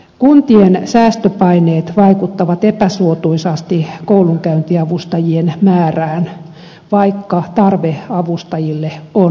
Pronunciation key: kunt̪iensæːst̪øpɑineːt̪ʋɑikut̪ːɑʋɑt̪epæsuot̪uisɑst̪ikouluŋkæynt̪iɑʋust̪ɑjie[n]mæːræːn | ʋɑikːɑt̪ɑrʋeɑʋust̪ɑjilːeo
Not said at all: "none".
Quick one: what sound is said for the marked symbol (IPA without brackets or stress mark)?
n